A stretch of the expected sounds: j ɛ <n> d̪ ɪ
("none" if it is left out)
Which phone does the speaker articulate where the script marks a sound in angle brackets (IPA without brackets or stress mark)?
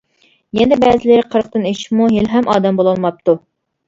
n